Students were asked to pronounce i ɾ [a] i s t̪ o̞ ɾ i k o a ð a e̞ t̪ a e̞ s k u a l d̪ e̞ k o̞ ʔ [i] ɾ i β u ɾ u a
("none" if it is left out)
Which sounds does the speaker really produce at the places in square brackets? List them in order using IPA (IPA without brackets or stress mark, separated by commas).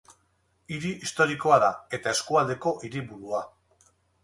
i, i